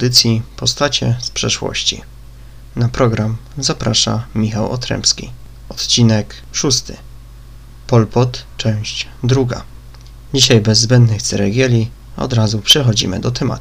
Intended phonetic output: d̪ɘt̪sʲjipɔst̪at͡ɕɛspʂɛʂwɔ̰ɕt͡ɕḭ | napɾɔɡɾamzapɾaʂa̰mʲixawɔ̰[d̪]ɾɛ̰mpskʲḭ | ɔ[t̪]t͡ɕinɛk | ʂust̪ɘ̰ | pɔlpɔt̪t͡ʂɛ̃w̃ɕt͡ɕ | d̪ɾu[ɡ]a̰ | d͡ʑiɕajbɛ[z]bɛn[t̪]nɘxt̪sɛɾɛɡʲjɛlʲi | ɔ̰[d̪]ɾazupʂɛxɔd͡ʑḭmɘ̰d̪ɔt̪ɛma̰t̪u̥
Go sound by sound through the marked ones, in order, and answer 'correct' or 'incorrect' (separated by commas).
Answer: incorrect, correct, correct, incorrect, incorrect, correct